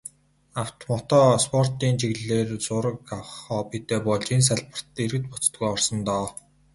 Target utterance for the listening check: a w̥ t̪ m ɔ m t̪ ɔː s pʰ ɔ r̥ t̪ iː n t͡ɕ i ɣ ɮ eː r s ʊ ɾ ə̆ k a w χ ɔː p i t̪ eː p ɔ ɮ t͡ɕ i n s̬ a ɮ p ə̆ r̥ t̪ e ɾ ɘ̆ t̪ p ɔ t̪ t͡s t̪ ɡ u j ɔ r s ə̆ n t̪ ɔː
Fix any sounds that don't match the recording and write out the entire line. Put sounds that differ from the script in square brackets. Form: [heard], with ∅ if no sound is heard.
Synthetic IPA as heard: a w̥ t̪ m ɔ [∅] t̪ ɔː s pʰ ɔ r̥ t̪ iː n t͡ɕ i ɣ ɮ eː r [t͡s] ʊ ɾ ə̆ k a w χ ɔː p i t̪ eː p ɔ ɮ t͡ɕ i n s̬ a ɮ p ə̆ r̥ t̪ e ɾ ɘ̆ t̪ p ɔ [∅] t͡s t̪ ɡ u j ɔ r s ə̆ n t̪ ɔː